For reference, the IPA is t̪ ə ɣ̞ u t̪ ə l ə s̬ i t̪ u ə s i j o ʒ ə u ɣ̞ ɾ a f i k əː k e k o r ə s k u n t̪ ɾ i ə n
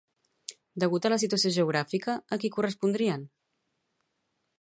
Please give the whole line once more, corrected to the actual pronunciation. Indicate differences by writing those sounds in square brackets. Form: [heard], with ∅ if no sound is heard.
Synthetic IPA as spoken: [d̪] ə ɣ̞ u t̪ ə l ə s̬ i t̪ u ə s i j o ʒ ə u ɣ̞ ɾ a f i k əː k [i] k [u] r ə s [p] u n [d̪] ɾ i ə n